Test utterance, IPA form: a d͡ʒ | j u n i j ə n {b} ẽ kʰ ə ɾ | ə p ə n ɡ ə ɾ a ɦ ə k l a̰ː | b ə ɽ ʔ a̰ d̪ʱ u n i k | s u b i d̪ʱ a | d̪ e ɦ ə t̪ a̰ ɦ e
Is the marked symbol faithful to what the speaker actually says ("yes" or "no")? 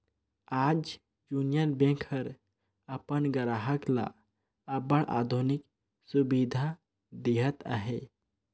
yes